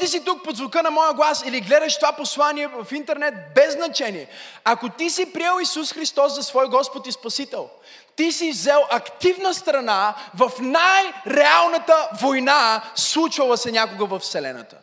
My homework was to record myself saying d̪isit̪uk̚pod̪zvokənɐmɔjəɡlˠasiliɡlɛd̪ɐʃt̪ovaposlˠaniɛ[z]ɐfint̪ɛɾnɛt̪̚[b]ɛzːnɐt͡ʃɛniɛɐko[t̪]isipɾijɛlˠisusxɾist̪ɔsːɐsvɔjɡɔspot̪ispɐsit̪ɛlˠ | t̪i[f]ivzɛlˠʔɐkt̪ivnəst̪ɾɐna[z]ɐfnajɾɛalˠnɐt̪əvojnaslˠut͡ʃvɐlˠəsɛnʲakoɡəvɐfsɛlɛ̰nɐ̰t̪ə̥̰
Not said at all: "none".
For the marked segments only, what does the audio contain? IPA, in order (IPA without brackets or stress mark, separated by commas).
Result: v, b, t̪, s, v